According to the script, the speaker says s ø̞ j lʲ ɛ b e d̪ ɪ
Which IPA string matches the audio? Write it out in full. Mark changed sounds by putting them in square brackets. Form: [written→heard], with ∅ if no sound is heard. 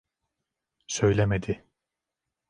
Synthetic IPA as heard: s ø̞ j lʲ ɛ [b→m] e d̪ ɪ